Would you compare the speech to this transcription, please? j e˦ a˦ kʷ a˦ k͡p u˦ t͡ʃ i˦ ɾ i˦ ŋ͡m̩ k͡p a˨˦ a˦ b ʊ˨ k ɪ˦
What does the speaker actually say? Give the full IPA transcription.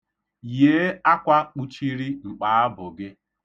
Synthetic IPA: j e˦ a˦ kʷ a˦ k͡p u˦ t͡ʃ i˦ ɾ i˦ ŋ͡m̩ k͡p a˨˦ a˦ b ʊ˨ ɡ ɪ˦